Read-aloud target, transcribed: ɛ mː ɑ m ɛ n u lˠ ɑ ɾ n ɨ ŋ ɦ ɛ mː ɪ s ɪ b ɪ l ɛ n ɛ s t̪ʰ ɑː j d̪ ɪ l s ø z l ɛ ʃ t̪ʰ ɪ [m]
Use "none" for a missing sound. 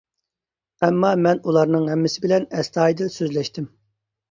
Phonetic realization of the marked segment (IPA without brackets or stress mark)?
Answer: m